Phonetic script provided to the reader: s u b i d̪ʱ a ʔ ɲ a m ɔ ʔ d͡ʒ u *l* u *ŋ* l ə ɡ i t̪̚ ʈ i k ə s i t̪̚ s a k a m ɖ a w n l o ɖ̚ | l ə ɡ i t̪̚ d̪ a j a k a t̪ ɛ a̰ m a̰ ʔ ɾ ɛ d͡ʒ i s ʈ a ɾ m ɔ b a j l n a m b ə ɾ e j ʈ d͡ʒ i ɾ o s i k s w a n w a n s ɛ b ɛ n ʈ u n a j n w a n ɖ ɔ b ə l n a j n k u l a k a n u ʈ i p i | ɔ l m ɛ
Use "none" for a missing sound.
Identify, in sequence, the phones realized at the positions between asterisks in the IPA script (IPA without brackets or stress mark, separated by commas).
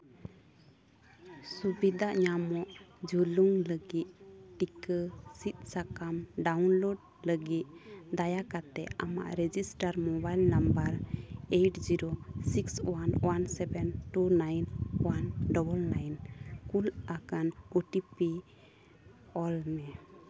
l, ŋ